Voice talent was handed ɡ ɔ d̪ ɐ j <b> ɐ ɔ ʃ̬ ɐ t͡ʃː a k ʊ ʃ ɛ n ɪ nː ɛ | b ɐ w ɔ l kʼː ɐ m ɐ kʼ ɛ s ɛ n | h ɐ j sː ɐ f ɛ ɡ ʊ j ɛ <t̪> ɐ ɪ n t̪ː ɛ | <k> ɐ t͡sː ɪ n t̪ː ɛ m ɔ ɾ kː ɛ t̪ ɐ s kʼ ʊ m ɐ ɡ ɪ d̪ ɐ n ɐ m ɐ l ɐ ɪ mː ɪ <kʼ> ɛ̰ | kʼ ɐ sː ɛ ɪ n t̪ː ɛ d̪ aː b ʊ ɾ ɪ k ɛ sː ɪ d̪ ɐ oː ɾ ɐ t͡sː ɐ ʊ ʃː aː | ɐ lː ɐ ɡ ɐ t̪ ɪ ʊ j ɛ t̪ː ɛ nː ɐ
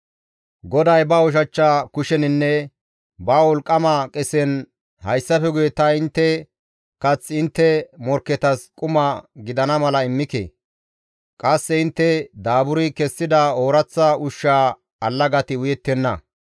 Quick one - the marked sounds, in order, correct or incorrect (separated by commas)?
correct, correct, correct, incorrect